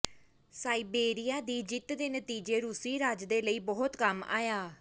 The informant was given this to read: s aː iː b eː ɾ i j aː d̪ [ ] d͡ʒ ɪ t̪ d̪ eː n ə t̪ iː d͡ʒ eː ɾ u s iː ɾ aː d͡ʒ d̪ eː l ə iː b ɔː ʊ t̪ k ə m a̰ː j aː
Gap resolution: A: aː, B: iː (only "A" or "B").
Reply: B